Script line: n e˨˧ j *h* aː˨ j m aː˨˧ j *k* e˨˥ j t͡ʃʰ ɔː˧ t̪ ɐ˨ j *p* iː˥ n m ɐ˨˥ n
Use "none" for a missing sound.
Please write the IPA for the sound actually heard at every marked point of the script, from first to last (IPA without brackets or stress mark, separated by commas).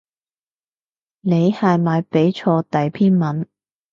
h, p, pʰ